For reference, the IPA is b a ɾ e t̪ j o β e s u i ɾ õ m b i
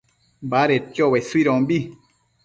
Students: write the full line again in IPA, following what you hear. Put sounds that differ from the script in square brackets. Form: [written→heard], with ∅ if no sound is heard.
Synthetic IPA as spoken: b a ɾ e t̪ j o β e s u i ɾ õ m b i

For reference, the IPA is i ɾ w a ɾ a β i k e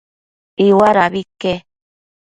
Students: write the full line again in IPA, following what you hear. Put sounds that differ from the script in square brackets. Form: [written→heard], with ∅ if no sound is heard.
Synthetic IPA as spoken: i [ɾ→∅] w a ɾ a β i k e

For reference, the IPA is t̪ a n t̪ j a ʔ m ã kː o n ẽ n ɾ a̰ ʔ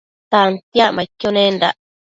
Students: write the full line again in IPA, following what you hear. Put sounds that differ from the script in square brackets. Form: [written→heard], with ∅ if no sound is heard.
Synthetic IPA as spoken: t̪ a n t̪ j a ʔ m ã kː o n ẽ n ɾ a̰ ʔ

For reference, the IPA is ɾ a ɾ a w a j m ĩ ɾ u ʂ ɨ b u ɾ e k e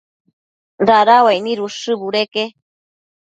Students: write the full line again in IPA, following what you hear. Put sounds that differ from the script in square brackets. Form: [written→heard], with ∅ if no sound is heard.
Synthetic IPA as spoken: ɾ a ɾ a w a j [m→n] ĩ ɾ u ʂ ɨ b u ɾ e k e

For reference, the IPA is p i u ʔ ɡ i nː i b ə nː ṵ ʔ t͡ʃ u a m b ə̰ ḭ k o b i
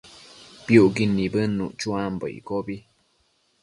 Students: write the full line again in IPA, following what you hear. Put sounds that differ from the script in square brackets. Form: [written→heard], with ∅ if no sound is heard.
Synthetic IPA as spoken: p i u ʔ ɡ i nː i b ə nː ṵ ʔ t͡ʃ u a m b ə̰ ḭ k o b i

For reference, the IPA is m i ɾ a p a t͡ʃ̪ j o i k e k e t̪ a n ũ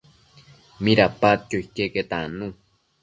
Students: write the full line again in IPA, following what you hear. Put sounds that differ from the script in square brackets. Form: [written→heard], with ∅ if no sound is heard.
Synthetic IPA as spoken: m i ɾ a p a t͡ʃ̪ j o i k e k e t̪ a n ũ

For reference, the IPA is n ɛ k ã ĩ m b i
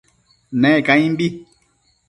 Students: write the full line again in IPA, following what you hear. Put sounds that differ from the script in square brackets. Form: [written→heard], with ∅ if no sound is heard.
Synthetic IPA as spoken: n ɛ k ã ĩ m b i

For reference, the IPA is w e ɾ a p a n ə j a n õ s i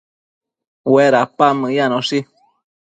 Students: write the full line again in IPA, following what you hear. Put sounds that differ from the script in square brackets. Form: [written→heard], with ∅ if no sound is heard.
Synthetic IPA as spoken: w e ɾ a p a [n→m] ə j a n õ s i

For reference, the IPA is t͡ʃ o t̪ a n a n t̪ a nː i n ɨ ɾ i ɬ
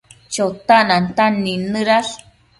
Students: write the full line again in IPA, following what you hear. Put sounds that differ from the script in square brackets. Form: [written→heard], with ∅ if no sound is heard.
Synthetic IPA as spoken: t͡ʃ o t̪ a n a n t̪ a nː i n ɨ ɾ [i→a] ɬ

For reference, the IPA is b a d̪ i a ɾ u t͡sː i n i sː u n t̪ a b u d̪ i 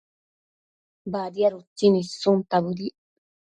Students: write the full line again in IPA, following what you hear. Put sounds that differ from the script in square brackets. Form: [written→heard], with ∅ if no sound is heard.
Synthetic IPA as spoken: b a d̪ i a ɾ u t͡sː i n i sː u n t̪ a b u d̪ i

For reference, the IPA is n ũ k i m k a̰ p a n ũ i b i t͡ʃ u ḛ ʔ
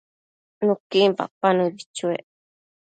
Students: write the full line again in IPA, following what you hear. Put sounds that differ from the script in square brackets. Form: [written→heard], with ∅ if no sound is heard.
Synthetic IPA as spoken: n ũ k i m [k→p] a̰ p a n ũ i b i t͡ʃ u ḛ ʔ

